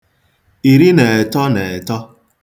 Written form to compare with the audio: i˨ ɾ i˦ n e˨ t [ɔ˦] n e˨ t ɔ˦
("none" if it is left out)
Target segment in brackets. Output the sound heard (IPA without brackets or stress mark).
ɔ˦